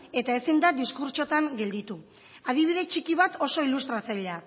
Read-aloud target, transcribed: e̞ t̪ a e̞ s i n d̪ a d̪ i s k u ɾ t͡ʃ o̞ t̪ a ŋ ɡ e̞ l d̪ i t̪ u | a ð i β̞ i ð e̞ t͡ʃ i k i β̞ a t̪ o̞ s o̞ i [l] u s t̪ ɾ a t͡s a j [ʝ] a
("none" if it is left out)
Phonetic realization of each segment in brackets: l, ʎ

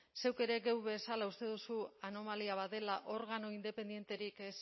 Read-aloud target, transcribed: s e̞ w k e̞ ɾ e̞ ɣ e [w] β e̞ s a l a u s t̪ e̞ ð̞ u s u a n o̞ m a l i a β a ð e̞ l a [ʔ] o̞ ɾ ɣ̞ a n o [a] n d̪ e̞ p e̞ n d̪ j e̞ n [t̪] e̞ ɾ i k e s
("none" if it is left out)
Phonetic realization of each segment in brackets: w, ʔ, i, t̪

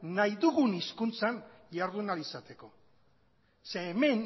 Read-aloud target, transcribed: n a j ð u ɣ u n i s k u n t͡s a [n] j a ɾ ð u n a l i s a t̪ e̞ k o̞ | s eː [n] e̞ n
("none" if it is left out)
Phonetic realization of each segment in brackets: n, m

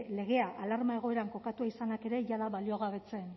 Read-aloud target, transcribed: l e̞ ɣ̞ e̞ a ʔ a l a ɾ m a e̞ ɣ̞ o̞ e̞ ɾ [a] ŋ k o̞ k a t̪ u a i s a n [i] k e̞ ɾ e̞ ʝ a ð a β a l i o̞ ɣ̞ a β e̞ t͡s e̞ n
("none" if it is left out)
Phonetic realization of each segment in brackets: a, a

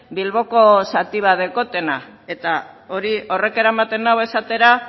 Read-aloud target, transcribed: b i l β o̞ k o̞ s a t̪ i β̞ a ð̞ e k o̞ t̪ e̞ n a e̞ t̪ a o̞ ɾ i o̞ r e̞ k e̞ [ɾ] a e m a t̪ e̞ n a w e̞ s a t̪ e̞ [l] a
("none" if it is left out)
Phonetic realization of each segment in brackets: ɾ, ɾ

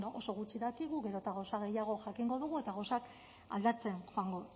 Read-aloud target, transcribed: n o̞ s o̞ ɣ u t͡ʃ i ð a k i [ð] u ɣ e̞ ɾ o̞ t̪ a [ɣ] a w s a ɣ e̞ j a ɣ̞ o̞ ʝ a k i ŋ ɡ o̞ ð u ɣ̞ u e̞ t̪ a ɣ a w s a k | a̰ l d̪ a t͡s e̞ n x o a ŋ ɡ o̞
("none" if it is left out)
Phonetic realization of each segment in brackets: ɣ, ɣ

